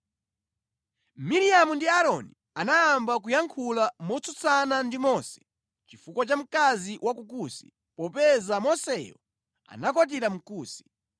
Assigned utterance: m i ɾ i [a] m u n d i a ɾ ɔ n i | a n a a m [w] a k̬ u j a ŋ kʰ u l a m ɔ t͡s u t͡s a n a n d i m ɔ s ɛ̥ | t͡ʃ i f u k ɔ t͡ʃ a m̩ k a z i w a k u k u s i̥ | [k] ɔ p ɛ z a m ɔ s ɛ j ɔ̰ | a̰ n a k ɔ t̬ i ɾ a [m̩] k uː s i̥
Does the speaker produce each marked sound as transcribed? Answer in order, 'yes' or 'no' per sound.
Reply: yes, no, no, yes

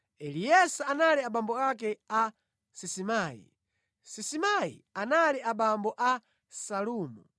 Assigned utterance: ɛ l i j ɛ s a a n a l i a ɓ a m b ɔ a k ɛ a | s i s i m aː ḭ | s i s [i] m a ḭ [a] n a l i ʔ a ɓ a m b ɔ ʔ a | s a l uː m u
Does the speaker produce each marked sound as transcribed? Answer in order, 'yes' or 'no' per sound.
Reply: yes, yes

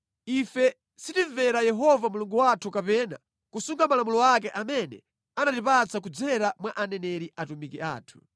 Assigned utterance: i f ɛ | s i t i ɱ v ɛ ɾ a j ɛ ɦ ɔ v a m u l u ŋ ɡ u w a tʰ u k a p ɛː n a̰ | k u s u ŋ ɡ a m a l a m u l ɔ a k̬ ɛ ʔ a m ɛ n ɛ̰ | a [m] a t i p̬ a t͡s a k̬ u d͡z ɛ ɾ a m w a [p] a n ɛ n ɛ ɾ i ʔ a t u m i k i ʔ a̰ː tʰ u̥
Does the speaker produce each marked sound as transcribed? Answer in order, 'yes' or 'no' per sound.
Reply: no, no

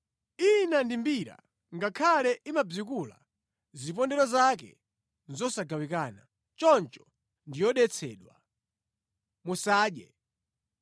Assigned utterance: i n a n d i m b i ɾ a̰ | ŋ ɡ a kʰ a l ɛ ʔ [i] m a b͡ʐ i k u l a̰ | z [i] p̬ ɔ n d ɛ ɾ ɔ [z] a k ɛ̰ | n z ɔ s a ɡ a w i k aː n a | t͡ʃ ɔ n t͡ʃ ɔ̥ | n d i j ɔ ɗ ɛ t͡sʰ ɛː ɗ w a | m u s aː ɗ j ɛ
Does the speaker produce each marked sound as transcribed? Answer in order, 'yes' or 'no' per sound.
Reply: yes, yes, yes

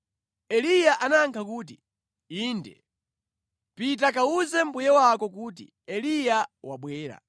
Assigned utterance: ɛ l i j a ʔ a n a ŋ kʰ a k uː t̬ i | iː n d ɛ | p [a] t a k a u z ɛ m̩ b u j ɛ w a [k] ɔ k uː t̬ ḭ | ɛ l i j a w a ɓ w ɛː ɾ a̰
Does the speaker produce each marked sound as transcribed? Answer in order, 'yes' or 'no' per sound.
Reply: no, yes

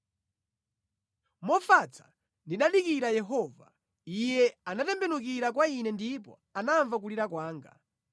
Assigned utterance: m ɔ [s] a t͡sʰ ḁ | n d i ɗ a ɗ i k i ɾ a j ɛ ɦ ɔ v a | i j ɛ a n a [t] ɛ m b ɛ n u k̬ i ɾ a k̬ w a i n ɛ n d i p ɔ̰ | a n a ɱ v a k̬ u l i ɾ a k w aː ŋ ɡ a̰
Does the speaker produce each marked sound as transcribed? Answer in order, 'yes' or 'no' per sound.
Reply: no, yes

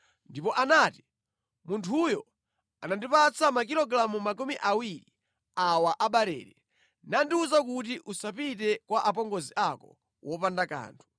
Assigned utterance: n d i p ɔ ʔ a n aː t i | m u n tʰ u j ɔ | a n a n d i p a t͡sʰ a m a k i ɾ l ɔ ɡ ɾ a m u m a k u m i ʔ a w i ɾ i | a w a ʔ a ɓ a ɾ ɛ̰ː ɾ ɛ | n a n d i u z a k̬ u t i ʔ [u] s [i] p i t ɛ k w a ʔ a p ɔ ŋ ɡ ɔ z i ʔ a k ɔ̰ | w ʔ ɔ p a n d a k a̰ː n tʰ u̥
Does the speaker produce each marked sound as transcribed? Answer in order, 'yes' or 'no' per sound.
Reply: yes, no

